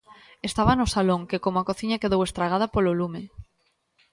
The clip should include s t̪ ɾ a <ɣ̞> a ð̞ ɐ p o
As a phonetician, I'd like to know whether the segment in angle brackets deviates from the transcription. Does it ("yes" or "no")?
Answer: no